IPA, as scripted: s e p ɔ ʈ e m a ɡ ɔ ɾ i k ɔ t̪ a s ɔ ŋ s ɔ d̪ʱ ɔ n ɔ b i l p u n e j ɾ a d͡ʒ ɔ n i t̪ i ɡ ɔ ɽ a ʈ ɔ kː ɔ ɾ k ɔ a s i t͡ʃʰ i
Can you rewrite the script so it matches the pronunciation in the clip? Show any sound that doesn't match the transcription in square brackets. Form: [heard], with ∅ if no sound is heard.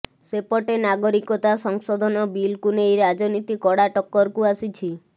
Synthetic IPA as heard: s e p ɔ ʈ e [n] a ɡ ɔ ɾ i k ɔ t̪ a s ɔ ŋ s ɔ d̪ʱ ɔ n ɔ b i l [k] u n e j ɾ a d͡ʒ ɔ n i t̪ i [k] ɔ ɽ a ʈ ɔ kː ɔ ɾ k [u] a s i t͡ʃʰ i